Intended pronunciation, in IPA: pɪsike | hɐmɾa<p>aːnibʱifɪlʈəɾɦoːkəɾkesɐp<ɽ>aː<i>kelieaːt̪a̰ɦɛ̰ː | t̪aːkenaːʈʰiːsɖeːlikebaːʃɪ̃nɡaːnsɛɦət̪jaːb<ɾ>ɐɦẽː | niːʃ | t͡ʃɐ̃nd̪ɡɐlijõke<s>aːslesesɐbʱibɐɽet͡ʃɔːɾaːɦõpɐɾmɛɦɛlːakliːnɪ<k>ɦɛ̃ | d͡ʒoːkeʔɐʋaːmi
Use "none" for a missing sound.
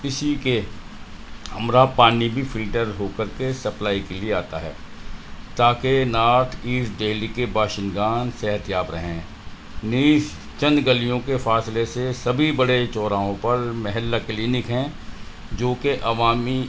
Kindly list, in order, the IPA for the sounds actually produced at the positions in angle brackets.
p, l, i, ɾ, f, k

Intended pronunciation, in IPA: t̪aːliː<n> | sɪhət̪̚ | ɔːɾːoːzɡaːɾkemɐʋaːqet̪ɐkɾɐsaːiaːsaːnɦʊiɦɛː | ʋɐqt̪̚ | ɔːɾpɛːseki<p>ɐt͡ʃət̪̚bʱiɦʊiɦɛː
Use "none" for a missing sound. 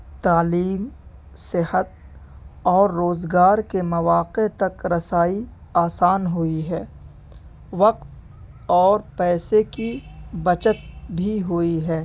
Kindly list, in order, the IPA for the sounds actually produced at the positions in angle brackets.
m, b

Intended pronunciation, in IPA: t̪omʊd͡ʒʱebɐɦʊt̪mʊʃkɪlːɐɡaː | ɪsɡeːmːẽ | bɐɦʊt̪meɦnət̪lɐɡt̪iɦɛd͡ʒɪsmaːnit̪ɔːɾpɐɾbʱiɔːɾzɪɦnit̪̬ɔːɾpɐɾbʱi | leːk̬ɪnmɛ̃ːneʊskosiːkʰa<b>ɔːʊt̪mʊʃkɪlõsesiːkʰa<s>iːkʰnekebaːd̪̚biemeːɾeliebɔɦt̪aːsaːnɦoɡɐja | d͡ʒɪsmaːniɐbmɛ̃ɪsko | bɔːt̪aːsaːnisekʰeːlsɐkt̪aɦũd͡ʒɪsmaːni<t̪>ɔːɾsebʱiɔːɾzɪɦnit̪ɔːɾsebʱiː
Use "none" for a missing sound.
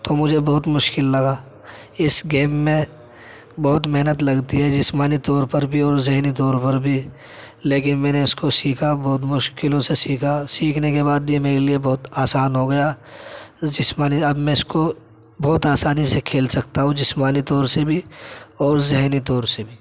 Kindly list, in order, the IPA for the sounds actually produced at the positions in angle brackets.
b, s, t̪

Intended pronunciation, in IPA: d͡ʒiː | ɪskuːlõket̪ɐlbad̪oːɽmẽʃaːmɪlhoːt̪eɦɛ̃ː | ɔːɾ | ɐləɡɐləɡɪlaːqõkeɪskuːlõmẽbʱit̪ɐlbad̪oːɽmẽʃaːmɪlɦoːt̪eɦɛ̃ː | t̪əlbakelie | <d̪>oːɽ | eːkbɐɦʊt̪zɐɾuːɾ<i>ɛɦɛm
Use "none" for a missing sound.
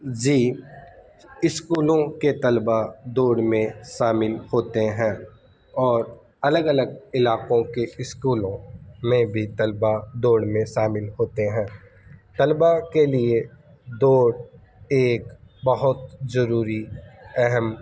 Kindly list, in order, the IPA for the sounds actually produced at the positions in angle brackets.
d̪, i

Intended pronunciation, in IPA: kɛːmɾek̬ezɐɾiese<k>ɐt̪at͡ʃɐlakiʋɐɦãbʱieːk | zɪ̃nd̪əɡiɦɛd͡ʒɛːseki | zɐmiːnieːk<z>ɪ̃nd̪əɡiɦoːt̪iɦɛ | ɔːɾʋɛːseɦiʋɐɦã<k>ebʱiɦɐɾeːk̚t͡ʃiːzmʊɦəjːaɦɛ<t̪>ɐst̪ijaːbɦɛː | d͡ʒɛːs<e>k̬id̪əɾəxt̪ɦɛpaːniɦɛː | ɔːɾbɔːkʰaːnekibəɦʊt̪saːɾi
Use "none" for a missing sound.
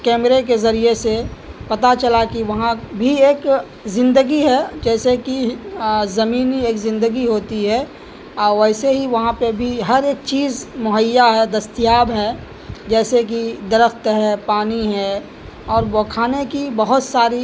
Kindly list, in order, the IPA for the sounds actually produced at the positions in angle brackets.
p, z, p, d̪, e

